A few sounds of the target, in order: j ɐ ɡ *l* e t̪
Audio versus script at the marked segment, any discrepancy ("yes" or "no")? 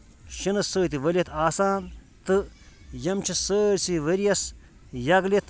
no